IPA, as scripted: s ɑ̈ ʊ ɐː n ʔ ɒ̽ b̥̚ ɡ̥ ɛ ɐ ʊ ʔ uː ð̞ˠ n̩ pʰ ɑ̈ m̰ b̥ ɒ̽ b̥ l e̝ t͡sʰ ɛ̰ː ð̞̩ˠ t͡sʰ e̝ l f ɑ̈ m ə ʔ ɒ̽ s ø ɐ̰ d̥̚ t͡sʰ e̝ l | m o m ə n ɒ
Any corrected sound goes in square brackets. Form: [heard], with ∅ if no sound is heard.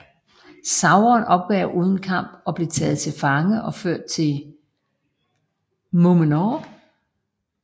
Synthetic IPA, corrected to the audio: s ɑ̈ ʊ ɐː n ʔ ɒ̽ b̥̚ ɡ̥ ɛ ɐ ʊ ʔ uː ð̞ˠ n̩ [kʰ] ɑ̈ m̰ b̥ ɒ̽ b̥ l e̝ t͡sʰ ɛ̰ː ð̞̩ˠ t͡sʰ e̝ l f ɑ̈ [ŋ] ə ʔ ɒ̽ [f] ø ɐ̰ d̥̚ t͡sʰ e̝ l | m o m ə n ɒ